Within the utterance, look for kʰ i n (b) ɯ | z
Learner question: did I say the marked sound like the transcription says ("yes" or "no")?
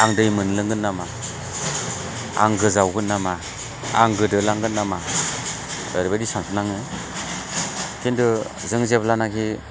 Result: no